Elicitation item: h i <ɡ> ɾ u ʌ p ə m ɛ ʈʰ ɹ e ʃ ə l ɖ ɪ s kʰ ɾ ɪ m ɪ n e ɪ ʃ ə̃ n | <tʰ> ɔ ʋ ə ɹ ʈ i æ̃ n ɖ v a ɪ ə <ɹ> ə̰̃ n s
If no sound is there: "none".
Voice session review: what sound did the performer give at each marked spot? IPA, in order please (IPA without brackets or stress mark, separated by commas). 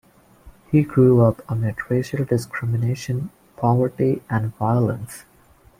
ɡ, pʰ, l